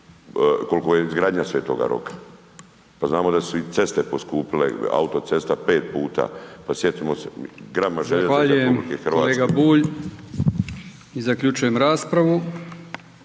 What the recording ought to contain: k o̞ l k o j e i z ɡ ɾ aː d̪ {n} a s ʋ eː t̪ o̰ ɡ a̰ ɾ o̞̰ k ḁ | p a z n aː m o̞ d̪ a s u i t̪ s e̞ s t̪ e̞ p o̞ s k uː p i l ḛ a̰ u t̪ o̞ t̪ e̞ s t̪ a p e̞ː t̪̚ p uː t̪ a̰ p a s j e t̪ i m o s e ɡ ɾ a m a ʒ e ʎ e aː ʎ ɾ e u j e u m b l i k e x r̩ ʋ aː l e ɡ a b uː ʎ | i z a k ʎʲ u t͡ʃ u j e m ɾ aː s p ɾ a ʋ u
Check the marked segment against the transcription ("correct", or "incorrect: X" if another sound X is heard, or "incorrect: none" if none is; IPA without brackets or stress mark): incorrect: ɲ